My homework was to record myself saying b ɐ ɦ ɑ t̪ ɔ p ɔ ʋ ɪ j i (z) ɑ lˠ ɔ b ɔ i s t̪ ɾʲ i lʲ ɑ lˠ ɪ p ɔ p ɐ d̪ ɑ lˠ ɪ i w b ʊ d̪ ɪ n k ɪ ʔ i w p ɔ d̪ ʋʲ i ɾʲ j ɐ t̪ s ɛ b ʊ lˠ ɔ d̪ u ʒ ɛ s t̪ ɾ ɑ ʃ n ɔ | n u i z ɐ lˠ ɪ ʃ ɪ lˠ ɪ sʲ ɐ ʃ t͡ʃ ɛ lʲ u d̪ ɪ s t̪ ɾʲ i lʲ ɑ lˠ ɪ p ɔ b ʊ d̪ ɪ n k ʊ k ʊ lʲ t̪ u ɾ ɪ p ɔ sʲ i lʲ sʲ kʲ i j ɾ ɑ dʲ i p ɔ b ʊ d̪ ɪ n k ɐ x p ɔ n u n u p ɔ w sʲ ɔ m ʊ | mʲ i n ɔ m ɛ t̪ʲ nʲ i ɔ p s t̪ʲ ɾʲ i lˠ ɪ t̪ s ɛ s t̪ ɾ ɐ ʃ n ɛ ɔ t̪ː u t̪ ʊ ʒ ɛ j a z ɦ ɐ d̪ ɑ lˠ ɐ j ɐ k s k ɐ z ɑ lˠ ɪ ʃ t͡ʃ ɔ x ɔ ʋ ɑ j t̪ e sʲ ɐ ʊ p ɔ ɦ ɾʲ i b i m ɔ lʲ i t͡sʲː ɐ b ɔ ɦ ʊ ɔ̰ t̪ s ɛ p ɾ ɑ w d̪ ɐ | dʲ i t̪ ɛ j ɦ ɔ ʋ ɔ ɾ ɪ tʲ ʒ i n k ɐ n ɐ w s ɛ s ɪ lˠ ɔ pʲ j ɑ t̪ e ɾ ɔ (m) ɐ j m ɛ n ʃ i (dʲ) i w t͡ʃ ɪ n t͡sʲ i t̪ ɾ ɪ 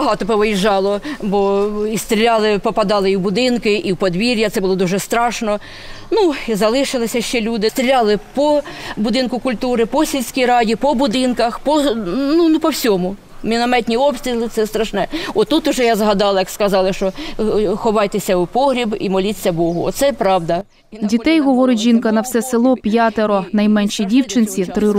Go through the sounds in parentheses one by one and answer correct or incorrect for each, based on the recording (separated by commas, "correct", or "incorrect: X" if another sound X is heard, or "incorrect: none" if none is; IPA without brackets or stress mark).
incorrect: ʒ, incorrect: n, correct